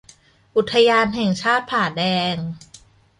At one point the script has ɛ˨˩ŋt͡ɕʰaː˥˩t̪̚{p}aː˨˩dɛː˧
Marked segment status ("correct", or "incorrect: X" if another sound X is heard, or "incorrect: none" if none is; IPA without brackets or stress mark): incorrect: pʰ